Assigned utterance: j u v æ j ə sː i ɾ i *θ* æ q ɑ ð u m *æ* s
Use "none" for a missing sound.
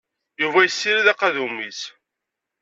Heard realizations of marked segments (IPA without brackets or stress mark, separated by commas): ð, i